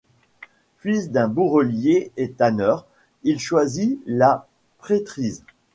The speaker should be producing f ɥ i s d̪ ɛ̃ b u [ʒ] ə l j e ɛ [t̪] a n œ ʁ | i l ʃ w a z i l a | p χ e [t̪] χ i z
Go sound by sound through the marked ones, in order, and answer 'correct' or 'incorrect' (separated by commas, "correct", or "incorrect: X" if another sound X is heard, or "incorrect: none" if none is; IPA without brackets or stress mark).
incorrect: ʁ, correct, correct